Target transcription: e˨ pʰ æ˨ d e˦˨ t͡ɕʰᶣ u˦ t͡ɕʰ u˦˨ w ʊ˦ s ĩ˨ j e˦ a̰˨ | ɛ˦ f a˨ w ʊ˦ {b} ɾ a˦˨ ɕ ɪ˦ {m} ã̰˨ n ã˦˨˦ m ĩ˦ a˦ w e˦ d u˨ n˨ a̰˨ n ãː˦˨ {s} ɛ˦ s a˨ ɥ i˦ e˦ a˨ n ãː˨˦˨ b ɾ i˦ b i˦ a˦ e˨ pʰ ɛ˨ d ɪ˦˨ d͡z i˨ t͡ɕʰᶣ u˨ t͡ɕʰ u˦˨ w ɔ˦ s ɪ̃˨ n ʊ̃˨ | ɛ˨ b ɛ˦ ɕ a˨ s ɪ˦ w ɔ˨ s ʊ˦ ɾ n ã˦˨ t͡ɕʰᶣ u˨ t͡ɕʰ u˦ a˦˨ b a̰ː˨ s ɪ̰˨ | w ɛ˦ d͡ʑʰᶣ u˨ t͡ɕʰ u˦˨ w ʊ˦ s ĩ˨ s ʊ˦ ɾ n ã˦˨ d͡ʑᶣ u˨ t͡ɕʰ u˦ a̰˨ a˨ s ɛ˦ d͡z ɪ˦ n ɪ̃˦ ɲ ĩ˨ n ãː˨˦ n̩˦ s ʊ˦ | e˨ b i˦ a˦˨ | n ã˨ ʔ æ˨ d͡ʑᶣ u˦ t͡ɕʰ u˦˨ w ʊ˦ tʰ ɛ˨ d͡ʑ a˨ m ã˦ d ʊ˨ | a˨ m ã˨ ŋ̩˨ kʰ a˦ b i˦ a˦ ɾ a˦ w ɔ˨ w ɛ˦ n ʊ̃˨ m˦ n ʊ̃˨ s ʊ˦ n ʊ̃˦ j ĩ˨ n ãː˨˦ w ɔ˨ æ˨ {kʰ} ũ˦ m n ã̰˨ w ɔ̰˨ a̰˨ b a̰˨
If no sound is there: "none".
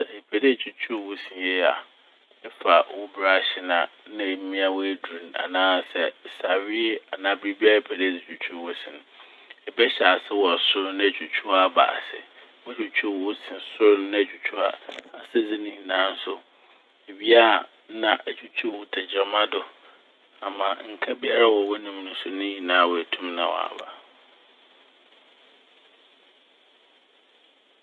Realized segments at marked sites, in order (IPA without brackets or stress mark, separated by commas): b, n, s, tʰ